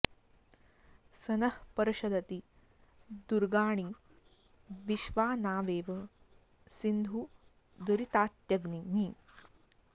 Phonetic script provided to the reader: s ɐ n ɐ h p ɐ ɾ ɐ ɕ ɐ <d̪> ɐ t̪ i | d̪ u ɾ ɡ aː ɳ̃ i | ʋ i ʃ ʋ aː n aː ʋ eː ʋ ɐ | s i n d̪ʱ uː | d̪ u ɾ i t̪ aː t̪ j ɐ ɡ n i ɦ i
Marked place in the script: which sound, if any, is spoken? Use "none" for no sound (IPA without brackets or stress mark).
d̪